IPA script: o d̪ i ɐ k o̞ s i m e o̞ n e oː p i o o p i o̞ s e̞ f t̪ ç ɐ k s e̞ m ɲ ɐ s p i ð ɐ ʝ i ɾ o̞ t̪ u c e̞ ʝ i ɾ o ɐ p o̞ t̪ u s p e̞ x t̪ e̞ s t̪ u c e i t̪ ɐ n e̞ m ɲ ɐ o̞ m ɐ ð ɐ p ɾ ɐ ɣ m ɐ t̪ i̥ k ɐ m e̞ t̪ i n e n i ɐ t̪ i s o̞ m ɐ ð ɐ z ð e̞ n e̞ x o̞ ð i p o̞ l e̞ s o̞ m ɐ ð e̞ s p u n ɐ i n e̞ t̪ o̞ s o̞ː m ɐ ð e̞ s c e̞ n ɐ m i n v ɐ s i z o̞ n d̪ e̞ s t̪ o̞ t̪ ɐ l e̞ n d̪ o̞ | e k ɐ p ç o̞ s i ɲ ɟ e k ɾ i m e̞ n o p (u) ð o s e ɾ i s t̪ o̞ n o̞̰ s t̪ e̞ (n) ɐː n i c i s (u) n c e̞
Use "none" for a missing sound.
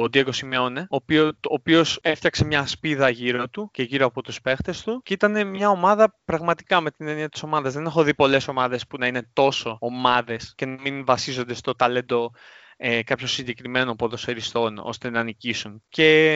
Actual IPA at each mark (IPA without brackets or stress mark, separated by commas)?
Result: o, n, u